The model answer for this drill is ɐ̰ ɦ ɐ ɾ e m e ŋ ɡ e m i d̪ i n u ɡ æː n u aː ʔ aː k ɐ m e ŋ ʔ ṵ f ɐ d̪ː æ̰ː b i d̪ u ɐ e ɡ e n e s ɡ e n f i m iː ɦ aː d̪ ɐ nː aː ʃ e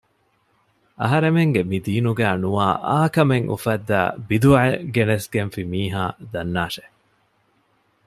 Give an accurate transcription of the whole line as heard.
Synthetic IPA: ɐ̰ ɦ ɐ ɾ e m e ŋ ɡ e m i d̪ iː n u ɡ æː n u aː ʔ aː k ɐ m e ŋ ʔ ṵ f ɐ d̪ː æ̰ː b i d̪ u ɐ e ɡ e n e s ɡ e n f i m iː ɦ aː d̪ ɐ nː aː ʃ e